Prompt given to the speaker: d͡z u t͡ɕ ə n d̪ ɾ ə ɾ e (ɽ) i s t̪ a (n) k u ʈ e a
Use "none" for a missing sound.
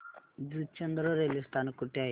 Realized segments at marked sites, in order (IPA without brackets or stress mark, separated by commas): l, n